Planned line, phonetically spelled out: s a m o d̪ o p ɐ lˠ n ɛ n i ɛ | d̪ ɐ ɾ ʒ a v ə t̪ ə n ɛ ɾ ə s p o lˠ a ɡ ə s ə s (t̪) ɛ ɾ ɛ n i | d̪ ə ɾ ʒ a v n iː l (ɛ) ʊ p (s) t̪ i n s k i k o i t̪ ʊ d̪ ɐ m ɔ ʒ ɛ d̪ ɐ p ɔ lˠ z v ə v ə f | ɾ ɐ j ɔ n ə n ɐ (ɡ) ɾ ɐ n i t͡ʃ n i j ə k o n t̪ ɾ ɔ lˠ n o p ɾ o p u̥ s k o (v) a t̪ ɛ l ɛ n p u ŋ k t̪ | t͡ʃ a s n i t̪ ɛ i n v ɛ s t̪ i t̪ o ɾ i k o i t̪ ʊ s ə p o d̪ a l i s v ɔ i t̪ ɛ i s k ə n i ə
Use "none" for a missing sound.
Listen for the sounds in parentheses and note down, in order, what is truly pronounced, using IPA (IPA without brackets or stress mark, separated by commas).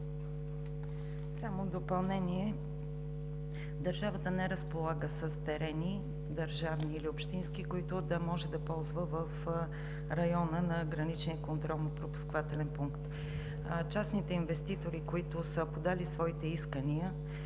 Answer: t̪, i, ʃ, ɡ, v